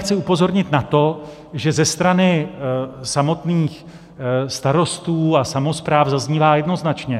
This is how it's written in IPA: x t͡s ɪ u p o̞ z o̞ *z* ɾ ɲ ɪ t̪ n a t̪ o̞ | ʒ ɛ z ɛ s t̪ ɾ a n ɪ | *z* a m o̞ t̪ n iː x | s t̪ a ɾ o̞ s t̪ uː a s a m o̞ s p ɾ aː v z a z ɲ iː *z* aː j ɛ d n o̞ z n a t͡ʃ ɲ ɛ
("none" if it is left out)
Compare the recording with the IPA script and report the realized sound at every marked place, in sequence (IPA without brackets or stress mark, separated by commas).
none, s, v